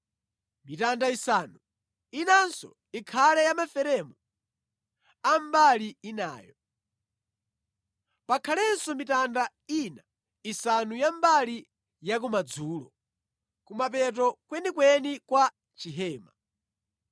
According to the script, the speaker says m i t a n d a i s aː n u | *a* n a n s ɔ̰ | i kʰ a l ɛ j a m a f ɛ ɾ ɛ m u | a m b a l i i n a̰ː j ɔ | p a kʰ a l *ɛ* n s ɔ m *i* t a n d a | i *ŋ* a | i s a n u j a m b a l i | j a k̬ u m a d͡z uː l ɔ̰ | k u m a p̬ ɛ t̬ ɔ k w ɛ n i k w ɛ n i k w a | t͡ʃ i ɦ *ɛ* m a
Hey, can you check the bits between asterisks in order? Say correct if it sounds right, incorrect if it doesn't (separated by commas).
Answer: incorrect, correct, correct, incorrect, incorrect